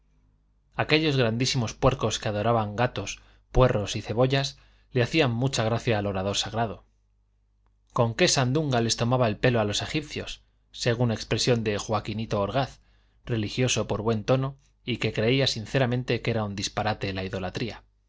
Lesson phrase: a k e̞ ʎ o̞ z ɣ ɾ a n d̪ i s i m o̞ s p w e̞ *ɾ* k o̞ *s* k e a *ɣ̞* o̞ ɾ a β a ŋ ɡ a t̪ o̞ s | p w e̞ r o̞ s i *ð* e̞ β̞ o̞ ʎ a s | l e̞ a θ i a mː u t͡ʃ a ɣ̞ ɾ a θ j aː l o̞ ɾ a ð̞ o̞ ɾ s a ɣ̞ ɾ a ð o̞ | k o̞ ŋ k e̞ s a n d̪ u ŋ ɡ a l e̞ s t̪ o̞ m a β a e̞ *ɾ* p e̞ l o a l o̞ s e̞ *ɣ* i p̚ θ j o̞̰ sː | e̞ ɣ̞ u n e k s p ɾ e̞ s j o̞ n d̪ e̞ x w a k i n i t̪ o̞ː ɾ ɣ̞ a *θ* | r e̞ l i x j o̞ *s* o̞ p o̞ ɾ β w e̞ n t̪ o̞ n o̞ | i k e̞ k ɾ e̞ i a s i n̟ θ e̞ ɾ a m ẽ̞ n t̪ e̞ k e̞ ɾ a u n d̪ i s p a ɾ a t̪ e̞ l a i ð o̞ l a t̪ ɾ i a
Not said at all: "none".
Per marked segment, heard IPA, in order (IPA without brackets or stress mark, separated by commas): ɾ, s, ð̞, θ, l, x, θ, s